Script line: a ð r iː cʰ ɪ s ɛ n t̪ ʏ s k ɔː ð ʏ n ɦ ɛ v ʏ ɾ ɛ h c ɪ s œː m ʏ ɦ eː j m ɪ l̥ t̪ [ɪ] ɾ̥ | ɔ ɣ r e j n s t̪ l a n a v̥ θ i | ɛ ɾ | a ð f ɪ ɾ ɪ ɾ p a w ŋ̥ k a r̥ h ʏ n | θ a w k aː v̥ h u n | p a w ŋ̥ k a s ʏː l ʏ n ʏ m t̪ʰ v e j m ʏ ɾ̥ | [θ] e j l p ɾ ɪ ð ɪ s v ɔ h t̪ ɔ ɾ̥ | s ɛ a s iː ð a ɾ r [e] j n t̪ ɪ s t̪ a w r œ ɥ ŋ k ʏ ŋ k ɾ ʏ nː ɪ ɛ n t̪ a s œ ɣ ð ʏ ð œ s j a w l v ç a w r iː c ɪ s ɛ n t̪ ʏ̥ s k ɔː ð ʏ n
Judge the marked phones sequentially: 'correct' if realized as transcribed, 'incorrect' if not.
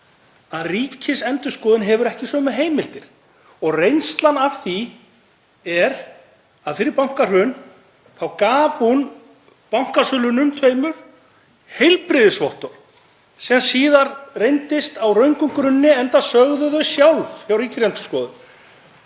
correct, incorrect, correct

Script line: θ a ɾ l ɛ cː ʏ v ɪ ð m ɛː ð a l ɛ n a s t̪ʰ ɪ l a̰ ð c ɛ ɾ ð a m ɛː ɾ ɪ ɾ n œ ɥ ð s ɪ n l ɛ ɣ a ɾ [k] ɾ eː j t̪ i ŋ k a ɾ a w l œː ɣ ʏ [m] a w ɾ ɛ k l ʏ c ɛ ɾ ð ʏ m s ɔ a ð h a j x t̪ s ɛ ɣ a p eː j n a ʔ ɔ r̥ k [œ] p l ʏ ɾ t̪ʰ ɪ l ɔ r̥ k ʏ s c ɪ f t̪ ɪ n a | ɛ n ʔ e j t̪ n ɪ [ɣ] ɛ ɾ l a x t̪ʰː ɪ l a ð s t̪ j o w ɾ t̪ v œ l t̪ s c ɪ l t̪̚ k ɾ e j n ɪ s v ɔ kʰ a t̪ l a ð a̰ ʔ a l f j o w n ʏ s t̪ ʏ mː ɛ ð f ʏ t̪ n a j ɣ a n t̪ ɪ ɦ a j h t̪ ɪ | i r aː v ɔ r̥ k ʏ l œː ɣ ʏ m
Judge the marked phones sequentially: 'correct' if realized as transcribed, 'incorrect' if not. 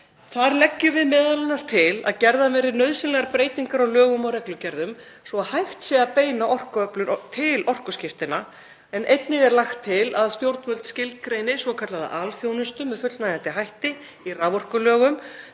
incorrect, correct, correct, correct

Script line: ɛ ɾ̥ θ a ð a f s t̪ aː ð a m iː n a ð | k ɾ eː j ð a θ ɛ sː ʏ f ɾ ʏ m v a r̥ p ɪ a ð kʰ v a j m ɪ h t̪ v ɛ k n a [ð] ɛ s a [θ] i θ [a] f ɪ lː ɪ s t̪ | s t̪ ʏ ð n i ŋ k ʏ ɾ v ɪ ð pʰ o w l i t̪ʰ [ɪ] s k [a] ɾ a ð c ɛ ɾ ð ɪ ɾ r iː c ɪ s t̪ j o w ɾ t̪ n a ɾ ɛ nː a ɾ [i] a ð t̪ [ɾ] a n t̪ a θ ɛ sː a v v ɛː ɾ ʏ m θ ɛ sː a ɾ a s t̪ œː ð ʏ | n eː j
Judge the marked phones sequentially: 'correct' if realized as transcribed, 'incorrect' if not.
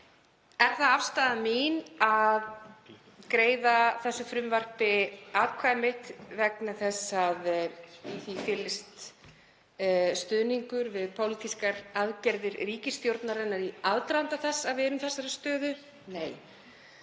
incorrect, incorrect, incorrect, incorrect, correct, correct, correct

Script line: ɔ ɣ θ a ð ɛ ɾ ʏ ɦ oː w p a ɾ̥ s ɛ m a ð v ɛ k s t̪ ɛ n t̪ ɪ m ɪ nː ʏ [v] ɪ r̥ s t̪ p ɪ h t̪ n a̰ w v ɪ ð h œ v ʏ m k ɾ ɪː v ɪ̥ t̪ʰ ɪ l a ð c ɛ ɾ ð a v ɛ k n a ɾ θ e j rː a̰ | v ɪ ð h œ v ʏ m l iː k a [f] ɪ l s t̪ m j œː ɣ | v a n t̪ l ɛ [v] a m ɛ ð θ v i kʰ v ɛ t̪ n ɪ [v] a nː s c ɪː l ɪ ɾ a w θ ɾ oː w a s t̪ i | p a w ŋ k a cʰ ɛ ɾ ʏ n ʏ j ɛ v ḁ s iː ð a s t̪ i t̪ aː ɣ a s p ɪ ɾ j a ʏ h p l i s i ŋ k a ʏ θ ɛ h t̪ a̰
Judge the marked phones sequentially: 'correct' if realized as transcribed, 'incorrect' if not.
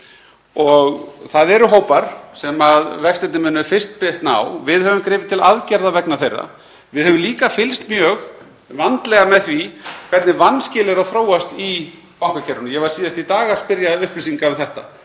incorrect, correct, incorrect, correct

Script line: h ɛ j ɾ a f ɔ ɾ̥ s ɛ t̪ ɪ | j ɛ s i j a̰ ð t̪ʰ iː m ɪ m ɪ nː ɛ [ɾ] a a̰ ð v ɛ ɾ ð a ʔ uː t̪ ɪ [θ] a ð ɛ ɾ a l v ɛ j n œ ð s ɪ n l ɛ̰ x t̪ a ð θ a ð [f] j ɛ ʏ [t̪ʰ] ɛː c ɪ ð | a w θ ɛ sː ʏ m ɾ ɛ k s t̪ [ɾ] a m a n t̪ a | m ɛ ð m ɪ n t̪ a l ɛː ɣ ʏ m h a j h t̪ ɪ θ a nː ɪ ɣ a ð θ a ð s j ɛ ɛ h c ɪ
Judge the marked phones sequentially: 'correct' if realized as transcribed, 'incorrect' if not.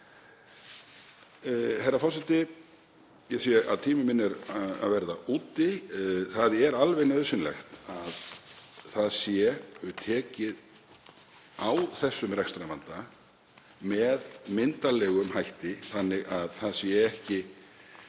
correct, correct, incorrect, correct, correct

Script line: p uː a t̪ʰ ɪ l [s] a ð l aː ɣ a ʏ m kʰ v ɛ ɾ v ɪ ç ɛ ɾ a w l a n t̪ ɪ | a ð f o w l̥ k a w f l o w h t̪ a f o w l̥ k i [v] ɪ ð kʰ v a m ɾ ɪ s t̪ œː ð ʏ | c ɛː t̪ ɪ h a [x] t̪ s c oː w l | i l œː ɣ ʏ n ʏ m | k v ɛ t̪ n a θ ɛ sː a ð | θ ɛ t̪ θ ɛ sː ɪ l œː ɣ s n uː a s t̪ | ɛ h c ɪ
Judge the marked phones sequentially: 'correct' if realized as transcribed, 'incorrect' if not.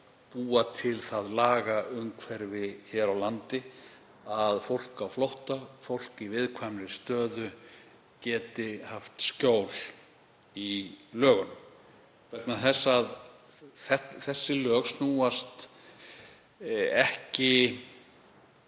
incorrect, correct, incorrect

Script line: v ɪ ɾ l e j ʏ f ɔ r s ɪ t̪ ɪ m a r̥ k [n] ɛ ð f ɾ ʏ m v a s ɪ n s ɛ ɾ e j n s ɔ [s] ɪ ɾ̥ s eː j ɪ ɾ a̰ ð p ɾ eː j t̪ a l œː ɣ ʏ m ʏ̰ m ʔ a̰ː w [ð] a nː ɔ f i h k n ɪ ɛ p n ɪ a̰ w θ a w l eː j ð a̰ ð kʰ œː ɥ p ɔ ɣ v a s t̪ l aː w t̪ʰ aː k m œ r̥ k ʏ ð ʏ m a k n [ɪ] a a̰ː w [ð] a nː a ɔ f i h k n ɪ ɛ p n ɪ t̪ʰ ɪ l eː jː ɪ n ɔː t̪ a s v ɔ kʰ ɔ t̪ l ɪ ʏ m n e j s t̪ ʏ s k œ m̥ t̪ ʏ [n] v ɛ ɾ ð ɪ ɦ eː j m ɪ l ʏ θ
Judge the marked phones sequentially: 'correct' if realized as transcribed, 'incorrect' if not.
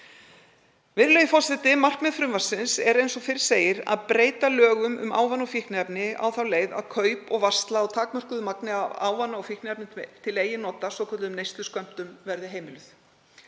incorrect, incorrect, incorrect, correct, incorrect, incorrect

